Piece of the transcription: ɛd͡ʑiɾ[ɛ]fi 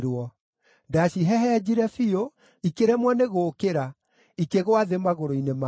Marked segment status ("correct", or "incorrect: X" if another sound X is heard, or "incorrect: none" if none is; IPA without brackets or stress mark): correct